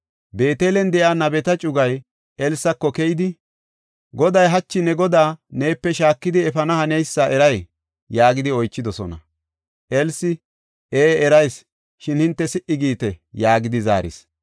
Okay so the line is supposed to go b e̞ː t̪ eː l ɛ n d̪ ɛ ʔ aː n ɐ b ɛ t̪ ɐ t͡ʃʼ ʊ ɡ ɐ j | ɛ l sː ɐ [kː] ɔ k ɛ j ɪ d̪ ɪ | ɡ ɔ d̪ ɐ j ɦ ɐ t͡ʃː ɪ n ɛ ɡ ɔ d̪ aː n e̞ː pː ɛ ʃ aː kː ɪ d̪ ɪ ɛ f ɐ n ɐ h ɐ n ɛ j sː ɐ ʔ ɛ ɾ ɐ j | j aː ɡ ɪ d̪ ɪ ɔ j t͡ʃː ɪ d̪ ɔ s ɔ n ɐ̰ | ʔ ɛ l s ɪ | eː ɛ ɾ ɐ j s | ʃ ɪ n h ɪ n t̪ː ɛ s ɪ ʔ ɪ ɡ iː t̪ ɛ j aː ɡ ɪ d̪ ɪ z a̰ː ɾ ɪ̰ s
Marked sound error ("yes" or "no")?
no